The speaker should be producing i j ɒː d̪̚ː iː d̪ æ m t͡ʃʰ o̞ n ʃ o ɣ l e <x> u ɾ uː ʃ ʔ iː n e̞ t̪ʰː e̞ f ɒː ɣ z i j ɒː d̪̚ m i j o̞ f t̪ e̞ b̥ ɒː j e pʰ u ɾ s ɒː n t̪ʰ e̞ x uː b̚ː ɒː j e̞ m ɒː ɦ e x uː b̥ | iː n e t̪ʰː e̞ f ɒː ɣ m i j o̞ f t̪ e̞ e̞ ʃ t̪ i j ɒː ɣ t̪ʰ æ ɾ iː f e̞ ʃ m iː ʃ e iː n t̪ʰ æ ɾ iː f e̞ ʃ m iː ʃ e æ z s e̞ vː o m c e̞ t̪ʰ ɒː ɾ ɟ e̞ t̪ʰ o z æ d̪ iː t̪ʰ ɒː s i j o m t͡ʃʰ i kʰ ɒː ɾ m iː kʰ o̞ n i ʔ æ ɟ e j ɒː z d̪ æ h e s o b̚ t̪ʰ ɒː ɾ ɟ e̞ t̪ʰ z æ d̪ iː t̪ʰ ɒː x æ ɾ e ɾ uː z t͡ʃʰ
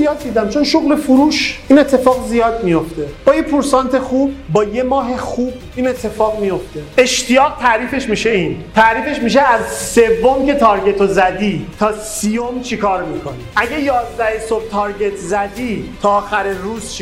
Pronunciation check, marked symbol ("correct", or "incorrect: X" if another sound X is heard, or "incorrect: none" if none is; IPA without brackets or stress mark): incorrect: f